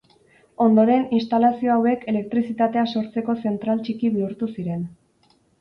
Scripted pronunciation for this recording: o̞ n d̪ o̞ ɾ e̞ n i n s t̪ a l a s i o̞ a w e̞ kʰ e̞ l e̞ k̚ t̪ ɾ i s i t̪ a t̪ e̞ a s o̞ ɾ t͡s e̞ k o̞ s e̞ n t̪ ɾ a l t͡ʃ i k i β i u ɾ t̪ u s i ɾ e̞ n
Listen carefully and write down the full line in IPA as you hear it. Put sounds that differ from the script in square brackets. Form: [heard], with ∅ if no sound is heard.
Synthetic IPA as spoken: o̞ n d̪ o̞ ɾ e̞ n i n s t̪ a l a s i o̞ a w e̞ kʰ e̞ l e̞ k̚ t̪ ɾ i s i t̪ a t̪ e̞ a s o̞ ɾ t͡s e̞ k o̞ s e̞ n t̪ ɾ a l t͡ʃ i k i β i u ɾ t̪ u s i ɾ e̞ n